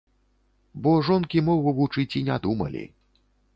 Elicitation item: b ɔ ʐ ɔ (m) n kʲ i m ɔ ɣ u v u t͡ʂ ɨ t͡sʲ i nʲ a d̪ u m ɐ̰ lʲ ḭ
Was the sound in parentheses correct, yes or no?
no